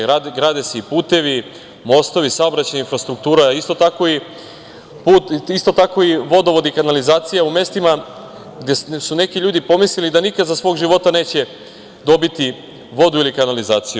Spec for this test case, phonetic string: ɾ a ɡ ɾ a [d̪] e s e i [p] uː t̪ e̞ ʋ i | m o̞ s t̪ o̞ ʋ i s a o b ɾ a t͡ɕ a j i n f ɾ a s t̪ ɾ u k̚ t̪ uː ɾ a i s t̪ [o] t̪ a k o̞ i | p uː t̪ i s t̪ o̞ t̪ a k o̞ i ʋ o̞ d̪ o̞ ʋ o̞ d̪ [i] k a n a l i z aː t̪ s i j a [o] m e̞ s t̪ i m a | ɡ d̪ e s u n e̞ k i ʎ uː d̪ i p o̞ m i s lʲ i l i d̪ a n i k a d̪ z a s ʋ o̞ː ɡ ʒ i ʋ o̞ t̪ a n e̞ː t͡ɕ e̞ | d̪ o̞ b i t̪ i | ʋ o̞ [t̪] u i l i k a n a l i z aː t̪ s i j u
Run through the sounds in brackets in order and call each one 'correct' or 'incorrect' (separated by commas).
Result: correct, correct, correct, correct, incorrect, incorrect